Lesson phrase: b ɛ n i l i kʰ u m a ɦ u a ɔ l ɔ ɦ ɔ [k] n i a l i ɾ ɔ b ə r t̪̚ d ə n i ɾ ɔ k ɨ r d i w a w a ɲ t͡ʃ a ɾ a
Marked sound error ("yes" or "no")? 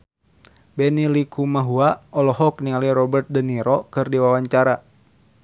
no